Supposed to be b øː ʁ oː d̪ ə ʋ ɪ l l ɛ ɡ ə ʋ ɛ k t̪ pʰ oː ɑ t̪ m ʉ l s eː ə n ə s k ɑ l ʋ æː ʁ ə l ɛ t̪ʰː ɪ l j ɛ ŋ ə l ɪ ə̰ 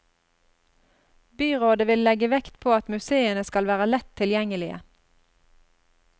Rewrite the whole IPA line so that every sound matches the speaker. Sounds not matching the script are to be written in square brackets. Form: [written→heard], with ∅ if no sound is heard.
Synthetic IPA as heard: b [øː→yː] ʁ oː d̪ ə ʋ ɪ l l ɛ ɡ ə ʋ ɛ k t̪ pʰ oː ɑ t̪ m ʉ [l→∅] s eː ə n ə s k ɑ l ʋ æː ʁ ə l ɛ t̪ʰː ɪ l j ɛ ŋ ə l ɪ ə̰